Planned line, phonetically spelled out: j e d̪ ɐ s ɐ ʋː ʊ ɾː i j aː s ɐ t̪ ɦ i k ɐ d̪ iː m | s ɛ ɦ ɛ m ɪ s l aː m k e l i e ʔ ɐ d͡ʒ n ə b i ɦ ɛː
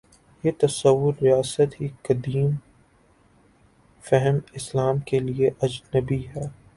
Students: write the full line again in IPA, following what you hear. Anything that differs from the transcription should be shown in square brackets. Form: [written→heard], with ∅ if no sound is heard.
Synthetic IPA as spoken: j e [d̪→t̪] ɐ s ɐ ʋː ʊ ɾː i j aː s [ɐ→ə] t̪ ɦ i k ɐ d̪ iː m | [s→f] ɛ ɦ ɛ m ɪ s l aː m k e l i e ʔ ɐ d͡ʒ n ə b i ɦ ɛː